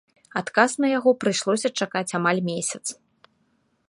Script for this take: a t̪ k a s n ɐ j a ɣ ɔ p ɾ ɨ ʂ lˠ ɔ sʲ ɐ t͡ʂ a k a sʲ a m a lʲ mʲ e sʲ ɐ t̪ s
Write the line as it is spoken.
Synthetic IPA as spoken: a t̪ k a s n ɐ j a ɣ ɔ p ɾ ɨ ʂ lˠ ɔ sʲ ɐ t͡ʂ a k a t͡sʲ a m a lʲ mʲ e sʲ ɐ t̪ s